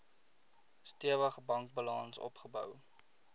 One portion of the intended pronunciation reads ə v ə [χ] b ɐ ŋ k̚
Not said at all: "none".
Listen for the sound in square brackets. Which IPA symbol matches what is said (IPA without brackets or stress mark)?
χ